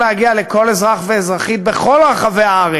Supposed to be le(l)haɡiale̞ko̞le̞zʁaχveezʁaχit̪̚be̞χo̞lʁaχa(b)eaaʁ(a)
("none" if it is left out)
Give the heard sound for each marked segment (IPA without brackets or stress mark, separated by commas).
none, v, e